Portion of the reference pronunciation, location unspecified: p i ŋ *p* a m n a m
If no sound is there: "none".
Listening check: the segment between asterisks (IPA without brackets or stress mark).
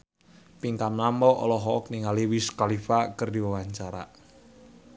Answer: k